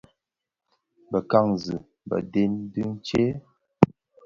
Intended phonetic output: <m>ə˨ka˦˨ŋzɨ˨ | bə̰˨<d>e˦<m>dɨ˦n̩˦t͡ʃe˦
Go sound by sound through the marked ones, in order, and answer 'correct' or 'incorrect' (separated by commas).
incorrect, correct, incorrect